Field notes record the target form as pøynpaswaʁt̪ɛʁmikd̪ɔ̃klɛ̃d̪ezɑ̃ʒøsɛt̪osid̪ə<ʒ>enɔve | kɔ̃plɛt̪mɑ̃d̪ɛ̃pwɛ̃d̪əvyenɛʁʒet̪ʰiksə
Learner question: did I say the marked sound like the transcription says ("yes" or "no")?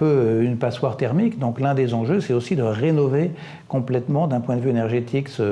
no